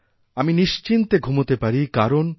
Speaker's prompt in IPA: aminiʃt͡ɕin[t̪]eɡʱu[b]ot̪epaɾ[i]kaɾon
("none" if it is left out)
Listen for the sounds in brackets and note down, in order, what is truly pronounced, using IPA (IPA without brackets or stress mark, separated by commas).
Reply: t̪, m, i